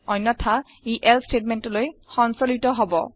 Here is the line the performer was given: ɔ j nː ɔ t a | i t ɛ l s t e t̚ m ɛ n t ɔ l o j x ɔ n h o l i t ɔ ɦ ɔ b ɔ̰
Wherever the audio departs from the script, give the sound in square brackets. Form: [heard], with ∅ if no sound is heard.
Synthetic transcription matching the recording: ɔ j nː ɔ [tʰ] a | i [ʔ] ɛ l s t e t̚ m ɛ n t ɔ l o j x ɔ n [s] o l i t ɔ ɦ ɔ b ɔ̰